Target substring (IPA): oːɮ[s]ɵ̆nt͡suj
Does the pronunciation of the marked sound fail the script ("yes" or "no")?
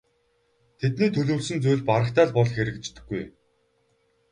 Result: no